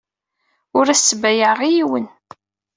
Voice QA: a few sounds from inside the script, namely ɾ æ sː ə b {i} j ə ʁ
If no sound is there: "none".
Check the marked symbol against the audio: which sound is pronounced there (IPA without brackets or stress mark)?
æ